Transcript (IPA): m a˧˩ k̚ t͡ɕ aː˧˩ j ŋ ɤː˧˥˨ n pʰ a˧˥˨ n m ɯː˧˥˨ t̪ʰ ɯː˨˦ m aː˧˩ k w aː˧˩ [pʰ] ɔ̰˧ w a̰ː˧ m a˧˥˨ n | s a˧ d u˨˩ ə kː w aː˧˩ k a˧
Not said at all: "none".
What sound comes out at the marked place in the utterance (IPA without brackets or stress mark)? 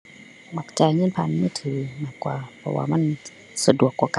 pʰ